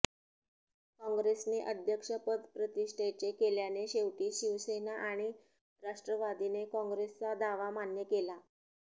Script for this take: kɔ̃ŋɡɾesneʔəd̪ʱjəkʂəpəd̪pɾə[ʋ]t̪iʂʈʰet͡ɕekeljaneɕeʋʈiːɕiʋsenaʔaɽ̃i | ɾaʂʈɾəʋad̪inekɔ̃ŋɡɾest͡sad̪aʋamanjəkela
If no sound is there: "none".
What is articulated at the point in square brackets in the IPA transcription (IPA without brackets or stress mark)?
none